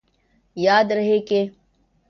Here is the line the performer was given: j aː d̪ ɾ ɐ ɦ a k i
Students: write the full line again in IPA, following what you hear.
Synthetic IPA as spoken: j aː d̪ ɾ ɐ ɦ e k e